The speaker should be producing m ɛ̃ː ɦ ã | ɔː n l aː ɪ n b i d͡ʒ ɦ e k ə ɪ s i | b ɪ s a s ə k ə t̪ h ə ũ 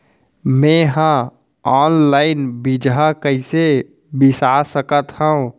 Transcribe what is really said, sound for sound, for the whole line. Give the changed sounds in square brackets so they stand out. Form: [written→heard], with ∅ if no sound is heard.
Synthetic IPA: m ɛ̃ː ɦ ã | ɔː n l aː ɪ n b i d͡ʒ ɦ [e→a] k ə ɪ s [i→e] | b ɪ s a s ə k ə t̪ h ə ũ